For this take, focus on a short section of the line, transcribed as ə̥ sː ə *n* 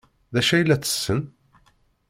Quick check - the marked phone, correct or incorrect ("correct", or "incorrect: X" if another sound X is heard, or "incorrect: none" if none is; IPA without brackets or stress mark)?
correct